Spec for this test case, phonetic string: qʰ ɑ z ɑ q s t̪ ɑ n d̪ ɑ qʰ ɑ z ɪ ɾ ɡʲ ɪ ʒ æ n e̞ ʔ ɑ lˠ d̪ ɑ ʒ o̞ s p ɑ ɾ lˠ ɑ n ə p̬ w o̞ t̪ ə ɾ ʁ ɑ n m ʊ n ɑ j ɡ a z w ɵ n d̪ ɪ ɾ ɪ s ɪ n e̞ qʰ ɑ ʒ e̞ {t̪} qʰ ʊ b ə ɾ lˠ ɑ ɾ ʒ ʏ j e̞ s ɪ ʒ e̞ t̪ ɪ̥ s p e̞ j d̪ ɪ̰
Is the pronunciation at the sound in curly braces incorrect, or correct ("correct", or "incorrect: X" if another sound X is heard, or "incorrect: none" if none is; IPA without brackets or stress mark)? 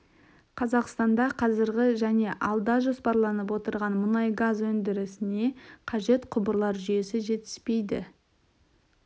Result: correct